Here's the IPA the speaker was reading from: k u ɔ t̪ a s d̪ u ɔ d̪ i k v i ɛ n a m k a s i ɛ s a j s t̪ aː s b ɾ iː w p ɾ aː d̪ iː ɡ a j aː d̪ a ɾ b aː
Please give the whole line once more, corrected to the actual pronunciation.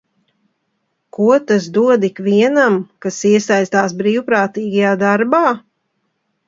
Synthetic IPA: k u ɔ t̪ a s d̪ u ɔ d̪ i k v i ɛ n a m k a s i ɛ s a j s t̪ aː s b ɾ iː w p ɾ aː t̪ iː ɡ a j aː d̪ a ɾ b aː